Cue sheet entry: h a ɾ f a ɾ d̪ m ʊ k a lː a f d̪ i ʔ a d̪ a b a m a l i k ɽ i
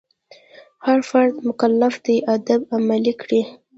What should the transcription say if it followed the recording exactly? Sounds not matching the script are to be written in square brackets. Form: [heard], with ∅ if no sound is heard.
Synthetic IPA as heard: h a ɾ f a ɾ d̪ m ʊ k a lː a f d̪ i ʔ a d̪ a b a m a l i k ɽ i

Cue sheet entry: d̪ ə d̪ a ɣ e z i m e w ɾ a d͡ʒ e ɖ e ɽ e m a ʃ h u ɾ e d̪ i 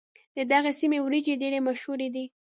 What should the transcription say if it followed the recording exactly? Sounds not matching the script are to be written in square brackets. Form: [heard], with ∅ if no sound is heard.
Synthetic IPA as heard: d̪ ə d̪ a ɣ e [s] i m e w ɾ [i] d͡ʒ e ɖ e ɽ e m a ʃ h u ɾ e d̪ i

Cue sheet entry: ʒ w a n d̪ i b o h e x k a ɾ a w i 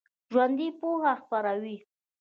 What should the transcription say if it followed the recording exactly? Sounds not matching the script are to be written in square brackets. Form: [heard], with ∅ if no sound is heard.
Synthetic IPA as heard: ʒ w a n d̪ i [p] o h [a] x [p] a ɾ a w i

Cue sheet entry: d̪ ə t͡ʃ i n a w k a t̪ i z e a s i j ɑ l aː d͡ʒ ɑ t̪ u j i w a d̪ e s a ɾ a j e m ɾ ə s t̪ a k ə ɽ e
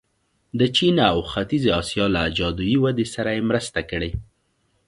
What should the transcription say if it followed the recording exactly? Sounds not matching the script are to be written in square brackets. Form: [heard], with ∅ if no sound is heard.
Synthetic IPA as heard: d̪ ə t͡ʃ i n a w [x] a t̪ i z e [ɑ] s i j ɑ l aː d͡ʒ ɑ [d̪] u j i w a d̪ e s a ɾ a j e m ɾ ə s t̪ a k ə ɽ e

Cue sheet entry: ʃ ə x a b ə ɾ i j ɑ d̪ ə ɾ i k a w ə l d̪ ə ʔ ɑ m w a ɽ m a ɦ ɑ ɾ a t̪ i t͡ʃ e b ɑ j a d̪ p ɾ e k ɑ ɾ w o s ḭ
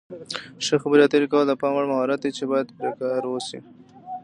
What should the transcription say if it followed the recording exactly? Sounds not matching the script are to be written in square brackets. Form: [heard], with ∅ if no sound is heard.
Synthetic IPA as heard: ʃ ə x a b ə ɾ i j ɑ [t̪] ə ɾ i k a w ə l d̪ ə [p] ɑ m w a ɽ m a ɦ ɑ ɾ a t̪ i t͡ʃ e b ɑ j a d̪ p ɾ e k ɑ ɾ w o s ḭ

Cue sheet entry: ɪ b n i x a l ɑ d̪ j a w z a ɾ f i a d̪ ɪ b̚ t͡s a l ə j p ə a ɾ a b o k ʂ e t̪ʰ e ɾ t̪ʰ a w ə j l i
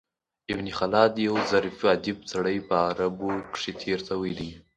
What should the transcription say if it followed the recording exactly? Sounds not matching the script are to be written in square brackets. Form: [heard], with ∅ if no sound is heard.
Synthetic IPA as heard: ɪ b n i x a l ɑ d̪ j a w z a ɾ f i a d̪ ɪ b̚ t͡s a [ɽ] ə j p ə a ɾ a b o k ʂ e t̪ʰ e ɾ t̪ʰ a w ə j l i

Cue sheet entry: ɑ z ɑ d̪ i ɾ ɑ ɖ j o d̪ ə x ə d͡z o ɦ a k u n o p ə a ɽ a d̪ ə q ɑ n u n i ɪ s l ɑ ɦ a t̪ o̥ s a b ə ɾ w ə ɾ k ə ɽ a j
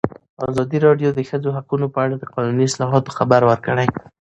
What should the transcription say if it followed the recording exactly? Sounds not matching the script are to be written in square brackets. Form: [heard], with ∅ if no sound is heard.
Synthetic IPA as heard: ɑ z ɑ d̪ i ɾ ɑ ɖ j o d̪ ə x ə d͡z o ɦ a [q] u n o p ə a ɽ a d̪ ə q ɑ n u n i ɪ s l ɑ ɦ [ɑ] t̪ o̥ [x] a b [a] ɾ w ə ɾ k ə ɽ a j

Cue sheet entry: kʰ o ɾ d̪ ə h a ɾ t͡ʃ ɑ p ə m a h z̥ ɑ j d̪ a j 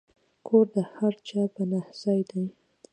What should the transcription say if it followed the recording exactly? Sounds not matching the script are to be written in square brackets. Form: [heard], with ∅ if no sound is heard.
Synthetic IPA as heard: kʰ o ɾ d̪ ə h a ɾ t͡ʃ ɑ p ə [n] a h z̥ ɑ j d̪ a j

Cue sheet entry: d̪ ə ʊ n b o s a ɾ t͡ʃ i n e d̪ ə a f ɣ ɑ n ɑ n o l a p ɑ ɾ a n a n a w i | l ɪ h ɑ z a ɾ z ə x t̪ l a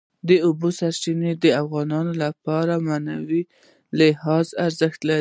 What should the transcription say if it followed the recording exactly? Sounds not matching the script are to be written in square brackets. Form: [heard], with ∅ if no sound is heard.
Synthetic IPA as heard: d̪ ə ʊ [∅] b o s a ɾ t͡ʃ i n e d̪ ə a f ɣ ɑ n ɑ n o l a p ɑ ɾ a [m] a n a w i | l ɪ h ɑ z a ɾ z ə x t̪ l a

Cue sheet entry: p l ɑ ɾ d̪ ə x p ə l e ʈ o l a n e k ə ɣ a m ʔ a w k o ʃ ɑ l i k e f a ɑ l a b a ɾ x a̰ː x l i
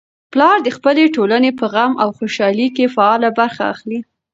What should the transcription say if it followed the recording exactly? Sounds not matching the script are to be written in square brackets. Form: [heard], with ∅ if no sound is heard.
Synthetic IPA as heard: p l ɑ ɾ d̪ ə x p ə l e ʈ o l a n e [p] ə ɣ a m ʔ a w [x] o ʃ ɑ l i k e f a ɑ l a b a ɾ x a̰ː x l i

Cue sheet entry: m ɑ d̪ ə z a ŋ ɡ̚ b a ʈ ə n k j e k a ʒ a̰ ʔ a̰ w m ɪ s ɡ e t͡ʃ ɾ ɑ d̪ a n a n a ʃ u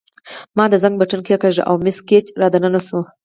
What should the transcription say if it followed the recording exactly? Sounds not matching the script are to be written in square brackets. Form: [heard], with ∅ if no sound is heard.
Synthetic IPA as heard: m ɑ d̪ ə z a ŋ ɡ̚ b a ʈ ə n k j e k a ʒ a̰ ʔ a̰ w m ɪ s [k] e t͡ʃ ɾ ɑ d̪ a n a n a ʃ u

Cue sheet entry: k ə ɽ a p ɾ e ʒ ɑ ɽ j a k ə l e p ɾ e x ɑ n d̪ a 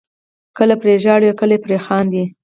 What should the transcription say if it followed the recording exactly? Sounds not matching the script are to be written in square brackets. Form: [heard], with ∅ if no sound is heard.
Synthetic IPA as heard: k ə [l] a p ɾ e ʒ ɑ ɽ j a k ə l e p ɾ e x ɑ n d̪ [i]

